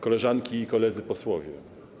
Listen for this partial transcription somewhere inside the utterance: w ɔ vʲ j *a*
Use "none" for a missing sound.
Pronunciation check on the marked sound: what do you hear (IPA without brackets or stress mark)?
ɛ